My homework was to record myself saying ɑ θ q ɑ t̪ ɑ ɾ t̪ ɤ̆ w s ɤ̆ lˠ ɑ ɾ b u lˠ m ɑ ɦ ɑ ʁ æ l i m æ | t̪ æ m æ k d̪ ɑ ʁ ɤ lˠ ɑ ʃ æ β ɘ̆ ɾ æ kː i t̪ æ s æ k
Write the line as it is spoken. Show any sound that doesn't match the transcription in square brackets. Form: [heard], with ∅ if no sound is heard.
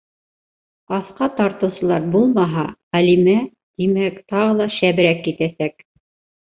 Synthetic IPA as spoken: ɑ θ q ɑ t̪ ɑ ɾ t̪ ɤ̆ w s ɤ̆ lˠ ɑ ɾ b u lˠ m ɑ ɦ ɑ ʁ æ l i m æ | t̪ [i] m æ k [t̪] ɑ ʁ ɤ lˠ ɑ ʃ æ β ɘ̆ ɾ æ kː i t̪ æ s æ k